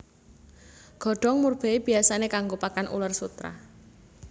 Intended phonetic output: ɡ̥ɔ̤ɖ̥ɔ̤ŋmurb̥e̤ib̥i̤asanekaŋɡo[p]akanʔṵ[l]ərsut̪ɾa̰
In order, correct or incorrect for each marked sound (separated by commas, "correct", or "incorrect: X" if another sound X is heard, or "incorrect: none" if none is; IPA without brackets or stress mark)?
correct, correct